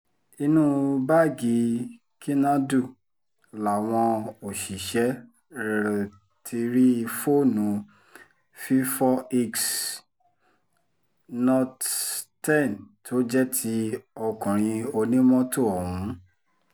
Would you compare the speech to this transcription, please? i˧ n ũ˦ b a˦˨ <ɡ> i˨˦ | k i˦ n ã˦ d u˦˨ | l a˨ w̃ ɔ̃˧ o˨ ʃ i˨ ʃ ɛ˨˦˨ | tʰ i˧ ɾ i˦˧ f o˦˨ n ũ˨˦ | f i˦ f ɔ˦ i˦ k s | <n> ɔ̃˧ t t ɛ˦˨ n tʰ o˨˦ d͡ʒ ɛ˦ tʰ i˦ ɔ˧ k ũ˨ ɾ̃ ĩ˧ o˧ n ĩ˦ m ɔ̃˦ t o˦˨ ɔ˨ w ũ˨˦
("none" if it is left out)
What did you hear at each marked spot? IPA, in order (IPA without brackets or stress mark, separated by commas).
ɡ, n